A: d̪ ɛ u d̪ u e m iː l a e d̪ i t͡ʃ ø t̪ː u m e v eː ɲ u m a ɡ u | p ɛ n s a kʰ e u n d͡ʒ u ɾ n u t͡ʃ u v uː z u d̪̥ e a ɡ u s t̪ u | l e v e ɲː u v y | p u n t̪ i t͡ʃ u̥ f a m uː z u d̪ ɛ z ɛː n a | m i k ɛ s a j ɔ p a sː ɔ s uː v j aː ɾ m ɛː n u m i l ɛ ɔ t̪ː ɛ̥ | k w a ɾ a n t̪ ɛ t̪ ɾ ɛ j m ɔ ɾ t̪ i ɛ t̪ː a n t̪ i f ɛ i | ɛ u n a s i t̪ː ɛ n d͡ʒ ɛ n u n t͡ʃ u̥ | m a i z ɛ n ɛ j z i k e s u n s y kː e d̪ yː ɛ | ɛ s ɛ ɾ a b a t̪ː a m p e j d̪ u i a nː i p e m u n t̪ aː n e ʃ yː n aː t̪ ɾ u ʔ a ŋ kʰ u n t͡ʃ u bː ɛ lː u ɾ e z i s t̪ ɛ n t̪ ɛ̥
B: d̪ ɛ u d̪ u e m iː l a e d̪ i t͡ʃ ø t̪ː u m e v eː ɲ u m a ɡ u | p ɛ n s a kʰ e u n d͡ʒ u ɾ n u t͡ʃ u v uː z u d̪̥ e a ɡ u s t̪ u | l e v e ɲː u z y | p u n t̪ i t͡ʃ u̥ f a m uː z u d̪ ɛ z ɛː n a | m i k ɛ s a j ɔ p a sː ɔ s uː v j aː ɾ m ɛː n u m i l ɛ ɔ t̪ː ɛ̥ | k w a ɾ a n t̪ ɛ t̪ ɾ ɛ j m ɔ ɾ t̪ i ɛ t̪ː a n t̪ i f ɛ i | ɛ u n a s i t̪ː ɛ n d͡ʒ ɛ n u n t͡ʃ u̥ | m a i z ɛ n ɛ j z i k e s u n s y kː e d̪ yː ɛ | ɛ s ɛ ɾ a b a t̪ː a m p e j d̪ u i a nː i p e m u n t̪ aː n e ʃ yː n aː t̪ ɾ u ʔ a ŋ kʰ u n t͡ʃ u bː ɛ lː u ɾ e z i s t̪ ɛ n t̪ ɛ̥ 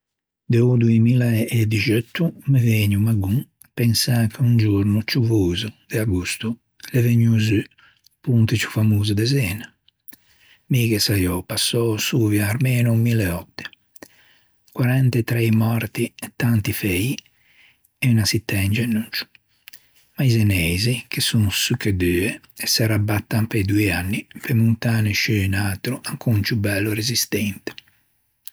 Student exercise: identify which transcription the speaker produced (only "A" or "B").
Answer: B